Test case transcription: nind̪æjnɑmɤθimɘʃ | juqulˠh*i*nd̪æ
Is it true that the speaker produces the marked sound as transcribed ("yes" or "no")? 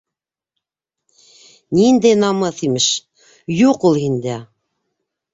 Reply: yes